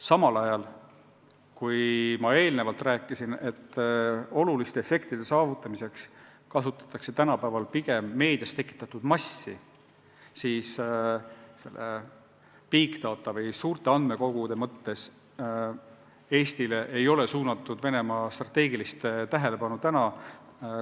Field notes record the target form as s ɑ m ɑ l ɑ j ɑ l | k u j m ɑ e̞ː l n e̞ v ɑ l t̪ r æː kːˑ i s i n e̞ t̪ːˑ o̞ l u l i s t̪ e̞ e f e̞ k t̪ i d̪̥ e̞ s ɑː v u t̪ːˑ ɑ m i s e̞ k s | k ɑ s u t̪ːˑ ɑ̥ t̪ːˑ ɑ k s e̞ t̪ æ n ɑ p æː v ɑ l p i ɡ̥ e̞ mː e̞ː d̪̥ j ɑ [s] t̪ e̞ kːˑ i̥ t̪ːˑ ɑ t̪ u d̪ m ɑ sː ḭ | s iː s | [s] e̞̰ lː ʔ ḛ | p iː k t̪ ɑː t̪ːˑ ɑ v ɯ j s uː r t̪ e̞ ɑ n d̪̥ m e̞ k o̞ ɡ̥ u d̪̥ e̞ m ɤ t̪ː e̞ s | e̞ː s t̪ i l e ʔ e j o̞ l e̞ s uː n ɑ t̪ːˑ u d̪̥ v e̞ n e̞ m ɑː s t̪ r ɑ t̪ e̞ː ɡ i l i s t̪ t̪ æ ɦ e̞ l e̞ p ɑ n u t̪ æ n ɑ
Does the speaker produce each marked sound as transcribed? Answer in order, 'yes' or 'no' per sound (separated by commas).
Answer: yes, yes